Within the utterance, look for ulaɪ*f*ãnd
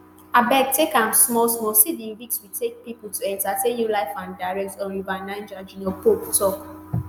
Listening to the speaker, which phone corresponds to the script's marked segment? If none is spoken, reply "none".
f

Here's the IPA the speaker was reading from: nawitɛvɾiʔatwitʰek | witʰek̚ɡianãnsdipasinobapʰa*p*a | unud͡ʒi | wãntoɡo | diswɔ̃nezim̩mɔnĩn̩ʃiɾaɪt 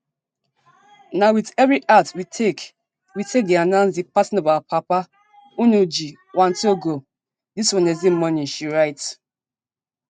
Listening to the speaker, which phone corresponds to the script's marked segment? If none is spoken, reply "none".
p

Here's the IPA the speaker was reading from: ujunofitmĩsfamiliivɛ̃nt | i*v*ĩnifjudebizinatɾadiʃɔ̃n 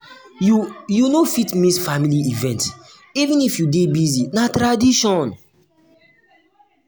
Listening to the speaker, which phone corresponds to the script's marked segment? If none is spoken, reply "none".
v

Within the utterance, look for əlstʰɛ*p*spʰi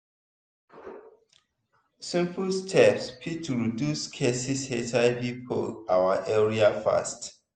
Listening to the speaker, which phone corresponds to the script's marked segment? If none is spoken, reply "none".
p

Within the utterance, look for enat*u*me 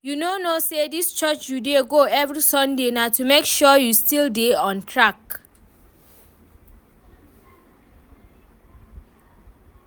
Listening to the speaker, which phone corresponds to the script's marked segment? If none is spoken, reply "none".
u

